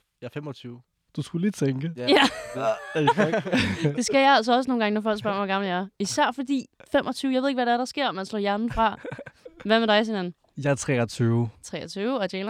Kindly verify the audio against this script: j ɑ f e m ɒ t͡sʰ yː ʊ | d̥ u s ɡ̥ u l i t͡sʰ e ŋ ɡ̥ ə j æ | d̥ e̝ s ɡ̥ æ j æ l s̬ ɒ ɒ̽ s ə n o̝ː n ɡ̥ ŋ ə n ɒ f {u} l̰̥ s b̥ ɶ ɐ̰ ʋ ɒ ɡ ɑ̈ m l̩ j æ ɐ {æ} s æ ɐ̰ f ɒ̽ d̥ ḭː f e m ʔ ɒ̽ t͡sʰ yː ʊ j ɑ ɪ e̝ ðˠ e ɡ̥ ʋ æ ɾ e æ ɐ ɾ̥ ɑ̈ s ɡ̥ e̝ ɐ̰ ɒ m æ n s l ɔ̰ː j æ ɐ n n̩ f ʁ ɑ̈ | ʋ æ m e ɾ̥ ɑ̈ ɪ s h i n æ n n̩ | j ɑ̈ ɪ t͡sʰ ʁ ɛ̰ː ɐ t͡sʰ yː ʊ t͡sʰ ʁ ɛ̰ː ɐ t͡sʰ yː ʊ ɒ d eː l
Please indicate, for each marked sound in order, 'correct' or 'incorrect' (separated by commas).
incorrect, incorrect